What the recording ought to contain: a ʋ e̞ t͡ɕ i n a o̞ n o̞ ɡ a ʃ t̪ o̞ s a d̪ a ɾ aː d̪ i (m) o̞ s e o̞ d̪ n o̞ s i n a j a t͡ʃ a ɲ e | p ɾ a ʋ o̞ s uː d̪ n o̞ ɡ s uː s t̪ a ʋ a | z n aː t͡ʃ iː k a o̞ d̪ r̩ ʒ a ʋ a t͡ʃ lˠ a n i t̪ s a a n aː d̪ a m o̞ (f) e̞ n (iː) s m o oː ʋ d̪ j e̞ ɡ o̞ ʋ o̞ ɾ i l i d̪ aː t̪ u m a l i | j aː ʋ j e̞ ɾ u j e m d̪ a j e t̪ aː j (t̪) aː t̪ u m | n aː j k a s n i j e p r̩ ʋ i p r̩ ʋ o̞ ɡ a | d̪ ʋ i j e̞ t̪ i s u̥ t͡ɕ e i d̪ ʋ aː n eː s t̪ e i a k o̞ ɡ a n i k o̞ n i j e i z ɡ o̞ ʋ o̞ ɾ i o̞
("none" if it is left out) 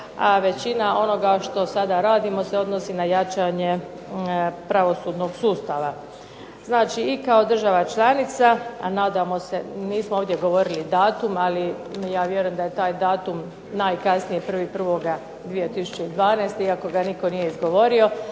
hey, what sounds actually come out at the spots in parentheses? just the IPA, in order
m, s, iː, d̪

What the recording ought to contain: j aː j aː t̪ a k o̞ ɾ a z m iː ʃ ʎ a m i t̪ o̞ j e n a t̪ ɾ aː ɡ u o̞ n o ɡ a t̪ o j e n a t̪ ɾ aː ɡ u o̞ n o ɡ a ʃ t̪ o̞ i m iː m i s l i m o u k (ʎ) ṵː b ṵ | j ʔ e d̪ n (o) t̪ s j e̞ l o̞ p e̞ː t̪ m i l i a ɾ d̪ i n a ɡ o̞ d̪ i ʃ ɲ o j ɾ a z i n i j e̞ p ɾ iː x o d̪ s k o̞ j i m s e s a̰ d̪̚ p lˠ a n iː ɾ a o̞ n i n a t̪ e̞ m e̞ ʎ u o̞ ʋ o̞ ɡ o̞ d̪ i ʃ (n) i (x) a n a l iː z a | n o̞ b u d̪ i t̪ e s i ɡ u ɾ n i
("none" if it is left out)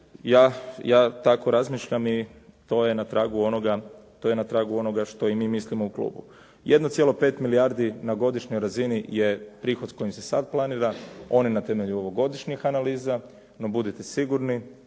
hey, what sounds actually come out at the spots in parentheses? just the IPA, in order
l, o, ɲ, x

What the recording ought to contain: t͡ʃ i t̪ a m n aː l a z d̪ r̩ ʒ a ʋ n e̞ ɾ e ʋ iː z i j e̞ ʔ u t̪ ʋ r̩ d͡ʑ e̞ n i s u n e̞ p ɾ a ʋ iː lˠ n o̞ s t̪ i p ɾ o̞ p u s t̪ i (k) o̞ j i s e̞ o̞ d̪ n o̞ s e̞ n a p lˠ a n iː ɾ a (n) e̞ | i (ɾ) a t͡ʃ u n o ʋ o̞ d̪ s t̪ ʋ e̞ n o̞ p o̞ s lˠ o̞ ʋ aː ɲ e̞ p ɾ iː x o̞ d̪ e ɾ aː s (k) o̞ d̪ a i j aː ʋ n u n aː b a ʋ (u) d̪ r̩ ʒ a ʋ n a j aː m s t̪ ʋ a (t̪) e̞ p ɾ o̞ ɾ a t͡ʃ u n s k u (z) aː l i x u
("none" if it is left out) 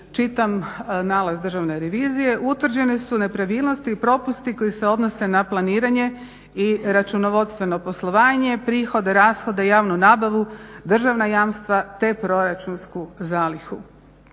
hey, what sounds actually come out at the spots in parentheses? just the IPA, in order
k, ɲ, ɾ, x, u, t̪, z

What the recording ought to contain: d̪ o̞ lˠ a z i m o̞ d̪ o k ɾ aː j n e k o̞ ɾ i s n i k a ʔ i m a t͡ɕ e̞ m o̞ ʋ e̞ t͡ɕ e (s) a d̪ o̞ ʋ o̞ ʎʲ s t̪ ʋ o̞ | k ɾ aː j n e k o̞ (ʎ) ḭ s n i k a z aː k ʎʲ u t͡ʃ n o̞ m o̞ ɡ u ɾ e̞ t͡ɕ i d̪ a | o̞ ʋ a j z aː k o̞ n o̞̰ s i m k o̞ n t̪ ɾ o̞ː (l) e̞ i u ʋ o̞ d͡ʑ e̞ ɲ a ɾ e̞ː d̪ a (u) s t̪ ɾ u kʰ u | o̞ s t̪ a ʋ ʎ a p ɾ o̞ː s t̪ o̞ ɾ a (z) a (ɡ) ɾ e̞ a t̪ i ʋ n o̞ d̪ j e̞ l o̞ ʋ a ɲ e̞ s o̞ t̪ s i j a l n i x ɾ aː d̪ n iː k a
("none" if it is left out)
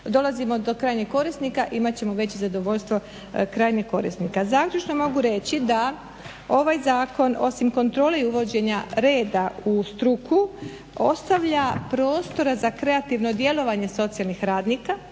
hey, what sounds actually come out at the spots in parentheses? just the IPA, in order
z, ɾ, l, u, z, k

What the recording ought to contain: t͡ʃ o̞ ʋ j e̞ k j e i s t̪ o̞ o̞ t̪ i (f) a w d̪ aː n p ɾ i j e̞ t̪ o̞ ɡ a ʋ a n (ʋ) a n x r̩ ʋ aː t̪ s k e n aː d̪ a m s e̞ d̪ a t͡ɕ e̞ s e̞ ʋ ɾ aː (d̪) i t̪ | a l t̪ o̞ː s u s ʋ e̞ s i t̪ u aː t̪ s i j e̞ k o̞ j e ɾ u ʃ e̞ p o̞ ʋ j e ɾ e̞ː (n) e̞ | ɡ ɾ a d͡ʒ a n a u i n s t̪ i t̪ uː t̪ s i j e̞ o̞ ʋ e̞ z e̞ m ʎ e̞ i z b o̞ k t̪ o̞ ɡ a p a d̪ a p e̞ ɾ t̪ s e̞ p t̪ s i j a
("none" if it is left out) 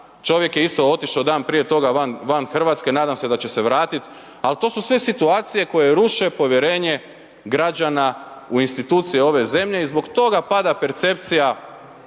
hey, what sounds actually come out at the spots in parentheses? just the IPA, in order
ʃ, ʋ, t̪, ɲ

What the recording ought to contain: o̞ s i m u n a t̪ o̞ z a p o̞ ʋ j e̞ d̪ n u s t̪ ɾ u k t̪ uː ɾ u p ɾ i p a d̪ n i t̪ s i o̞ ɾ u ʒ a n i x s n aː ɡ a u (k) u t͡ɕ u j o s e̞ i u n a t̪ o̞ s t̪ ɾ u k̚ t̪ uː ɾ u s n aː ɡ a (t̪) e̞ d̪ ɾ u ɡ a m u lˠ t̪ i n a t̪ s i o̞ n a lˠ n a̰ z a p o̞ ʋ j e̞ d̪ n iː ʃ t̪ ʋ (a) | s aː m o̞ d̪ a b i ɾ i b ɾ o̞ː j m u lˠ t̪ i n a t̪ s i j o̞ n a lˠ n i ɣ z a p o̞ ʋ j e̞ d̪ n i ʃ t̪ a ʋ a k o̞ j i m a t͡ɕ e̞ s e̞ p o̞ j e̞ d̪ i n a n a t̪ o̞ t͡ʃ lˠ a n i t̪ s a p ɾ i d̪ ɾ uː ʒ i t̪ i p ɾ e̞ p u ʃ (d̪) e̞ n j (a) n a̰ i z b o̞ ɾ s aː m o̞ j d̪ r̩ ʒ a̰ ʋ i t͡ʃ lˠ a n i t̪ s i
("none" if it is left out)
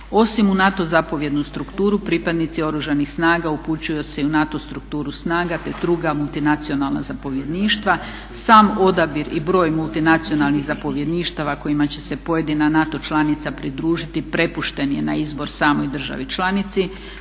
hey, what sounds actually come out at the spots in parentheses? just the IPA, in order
p, t̪, a, t̪, e

